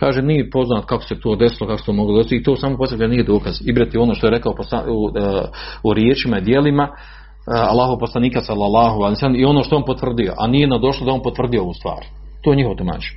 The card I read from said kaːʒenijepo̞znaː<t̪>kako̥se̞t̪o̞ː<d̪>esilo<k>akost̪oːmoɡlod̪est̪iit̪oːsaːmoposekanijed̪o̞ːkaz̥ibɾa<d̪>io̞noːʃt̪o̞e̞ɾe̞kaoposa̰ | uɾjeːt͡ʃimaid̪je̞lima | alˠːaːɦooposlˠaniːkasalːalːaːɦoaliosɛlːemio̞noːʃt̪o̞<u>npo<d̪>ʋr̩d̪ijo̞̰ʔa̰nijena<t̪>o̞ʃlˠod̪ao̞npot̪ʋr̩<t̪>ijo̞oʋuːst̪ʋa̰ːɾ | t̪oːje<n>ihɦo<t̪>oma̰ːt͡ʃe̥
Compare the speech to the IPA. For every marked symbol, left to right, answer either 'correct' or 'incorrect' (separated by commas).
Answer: correct, correct, correct, incorrect, incorrect, incorrect, incorrect, incorrect, incorrect, correct